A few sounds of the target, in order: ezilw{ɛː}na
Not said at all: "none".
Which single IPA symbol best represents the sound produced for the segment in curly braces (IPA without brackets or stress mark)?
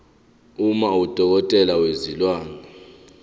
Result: aː